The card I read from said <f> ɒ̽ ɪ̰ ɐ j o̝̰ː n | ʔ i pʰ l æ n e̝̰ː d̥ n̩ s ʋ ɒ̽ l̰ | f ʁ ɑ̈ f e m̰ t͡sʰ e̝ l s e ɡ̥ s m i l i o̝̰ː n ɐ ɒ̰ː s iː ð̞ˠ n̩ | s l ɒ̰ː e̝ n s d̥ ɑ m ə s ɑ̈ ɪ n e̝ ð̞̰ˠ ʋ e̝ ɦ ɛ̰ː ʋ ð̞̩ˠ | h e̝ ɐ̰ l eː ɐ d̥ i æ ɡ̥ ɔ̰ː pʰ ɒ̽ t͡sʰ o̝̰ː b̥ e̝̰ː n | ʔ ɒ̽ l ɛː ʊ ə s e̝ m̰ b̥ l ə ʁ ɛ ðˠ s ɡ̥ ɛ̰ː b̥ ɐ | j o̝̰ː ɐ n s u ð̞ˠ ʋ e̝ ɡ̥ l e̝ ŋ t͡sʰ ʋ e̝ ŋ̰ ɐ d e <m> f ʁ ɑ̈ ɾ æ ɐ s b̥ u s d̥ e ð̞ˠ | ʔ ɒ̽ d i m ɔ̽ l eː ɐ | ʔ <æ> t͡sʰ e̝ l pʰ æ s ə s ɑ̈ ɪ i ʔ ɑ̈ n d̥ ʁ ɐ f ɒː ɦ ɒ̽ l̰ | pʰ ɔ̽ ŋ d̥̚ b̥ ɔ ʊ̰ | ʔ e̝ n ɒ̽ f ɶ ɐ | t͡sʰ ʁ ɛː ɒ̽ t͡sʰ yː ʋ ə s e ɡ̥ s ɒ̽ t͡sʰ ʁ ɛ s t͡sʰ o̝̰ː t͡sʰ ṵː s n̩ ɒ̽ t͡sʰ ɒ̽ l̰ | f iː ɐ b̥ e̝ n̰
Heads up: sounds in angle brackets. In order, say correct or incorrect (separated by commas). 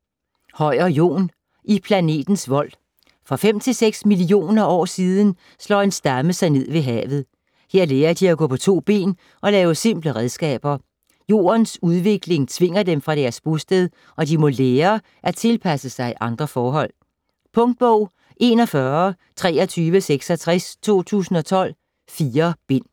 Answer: incorrect, correct, correct